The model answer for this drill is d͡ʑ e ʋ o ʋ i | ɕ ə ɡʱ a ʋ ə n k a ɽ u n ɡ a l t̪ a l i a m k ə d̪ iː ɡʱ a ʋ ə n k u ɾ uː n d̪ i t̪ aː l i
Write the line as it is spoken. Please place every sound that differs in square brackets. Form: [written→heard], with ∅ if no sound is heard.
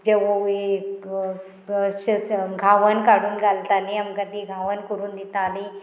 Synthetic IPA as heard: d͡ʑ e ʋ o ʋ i | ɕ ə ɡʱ a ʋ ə n k a ɽ [u→uː] n ɡ a l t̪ a l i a m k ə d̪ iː ɡʱ a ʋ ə n k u ɾ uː n d̪ i t̪ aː l i

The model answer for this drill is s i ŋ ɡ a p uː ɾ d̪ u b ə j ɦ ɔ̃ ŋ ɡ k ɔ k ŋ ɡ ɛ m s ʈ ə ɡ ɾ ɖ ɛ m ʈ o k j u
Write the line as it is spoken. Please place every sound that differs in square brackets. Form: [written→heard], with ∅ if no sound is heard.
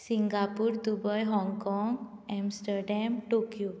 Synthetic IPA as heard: s i ŋ ɡ a p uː ɾ d̪ u b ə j ɦ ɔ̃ ŋ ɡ k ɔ [k→∅] ŋ ɡ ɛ m s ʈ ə [ɡ→∅] ɾ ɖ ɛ m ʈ o k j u

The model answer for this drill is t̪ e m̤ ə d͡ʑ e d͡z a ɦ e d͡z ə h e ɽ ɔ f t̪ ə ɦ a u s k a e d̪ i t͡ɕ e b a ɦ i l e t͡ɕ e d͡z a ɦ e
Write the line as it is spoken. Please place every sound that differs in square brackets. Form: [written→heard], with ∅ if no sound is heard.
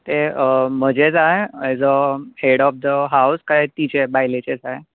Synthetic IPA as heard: t̪ e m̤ ə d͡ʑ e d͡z a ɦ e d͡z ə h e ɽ ɔ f [t̪→d̪] ə ɦ a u s k a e [d̪→t̪] i t͡ɕ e b a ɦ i l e t͡ɕ e d͡z a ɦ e

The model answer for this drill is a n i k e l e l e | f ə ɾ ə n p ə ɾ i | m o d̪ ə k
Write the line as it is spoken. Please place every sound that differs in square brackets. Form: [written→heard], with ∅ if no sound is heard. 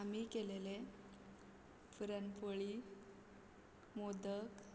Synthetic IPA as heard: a [n→m] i k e l e l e | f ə ɾ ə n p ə [ɾ→ɭ] i | m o d̪ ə k

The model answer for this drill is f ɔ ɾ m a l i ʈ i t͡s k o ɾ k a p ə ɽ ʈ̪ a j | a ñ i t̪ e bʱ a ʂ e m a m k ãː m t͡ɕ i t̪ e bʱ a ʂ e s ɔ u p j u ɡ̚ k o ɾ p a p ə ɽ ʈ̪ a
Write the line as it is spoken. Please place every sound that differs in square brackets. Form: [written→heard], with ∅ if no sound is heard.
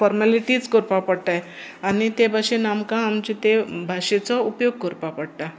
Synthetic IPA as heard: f ɔ ɾ m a l i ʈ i t͡s k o ɾ [k→p] a p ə ɽ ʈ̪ a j | a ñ i t̪ e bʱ a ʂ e [m→n] a m k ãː m t͡ɕ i t̪ e bʱ a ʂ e [s→t͡s] ɔ u p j [u→o] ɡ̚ k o ɾ p a p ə ɽ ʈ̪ a

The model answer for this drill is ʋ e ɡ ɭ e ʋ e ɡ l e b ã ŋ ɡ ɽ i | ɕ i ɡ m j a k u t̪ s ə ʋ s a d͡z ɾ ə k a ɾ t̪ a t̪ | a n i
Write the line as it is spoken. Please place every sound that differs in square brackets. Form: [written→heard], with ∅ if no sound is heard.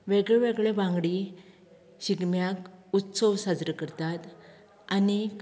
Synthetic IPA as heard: ʋ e ɡ ɭ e ʋ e ɡ [l→ɭ] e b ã ŋ ɡ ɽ i | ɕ i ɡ m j a k u t̪ s ə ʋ s a d͡z ɾ ə k [a→ə] ɾ t̪ a t̪ | a n i

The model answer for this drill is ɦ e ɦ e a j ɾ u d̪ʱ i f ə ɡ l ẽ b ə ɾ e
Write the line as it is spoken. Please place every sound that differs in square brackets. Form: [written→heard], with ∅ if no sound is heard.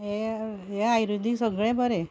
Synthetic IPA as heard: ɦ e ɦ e a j ɾ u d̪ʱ i [f→s] ə ɡ [l→ɭ] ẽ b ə ɾ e

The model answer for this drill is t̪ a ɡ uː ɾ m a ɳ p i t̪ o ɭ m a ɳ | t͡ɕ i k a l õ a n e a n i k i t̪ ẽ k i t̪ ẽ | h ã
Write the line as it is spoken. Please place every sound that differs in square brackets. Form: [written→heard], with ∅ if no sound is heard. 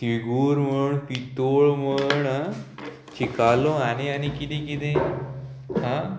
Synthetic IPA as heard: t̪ [a→i] ɡ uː ɾ m [a→ə] ɳ p i t̪ o ɭ m [a→ə] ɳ | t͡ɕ i k a l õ a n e a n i k i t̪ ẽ k i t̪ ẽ | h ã

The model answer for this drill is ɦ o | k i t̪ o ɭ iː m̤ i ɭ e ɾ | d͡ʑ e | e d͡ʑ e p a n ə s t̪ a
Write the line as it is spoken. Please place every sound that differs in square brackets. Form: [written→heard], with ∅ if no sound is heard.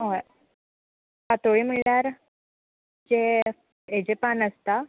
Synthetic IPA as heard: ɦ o | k [i→a] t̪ o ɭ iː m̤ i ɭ [e→a] ɾ | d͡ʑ e | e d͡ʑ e p a n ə s t̪ a

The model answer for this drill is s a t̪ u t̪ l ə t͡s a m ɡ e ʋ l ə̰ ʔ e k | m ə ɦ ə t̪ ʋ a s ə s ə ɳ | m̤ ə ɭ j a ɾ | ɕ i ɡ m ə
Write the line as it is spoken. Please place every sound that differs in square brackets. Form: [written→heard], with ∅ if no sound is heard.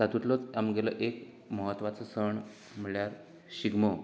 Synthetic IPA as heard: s a t̪ u t̪ l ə t͡s a m ɡ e [ʋ→∅] l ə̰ ʔ e k | m ə ɦ ə t̪ ʋ a [s→t͡s] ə s ə ɳ | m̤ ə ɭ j a ɾ | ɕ i ɡ m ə

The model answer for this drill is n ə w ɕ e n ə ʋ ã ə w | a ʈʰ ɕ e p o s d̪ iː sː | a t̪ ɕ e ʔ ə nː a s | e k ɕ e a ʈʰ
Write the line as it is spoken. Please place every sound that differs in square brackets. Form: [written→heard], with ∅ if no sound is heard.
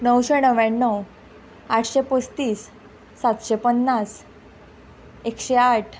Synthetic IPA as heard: n ə w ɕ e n ə ʋ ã ə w | a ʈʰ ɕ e p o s [d̪→t̪] iː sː | a t̪ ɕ e [ʔ→p] ə nː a s | e k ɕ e a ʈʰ

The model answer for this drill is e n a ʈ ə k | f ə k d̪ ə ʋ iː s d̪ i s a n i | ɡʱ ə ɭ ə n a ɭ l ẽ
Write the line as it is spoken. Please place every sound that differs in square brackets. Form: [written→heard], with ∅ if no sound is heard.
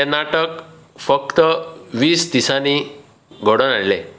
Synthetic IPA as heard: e n a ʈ ə k | f ə k [d̪→t̪] ə ʋ iː s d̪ i s a n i | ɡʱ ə [ɭ→ɽ] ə n a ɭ l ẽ

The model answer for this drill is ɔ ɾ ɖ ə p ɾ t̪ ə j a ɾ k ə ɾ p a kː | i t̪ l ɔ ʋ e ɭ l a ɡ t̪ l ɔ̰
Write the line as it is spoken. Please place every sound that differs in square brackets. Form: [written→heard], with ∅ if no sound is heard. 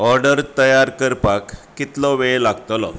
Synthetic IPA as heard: ɔ ɾ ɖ ə [p→∅] ɾ t̪ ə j a ɾ k ə ɾ p a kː | i t̪ l ɔ ʋ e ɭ l a ɡ t̪ l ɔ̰

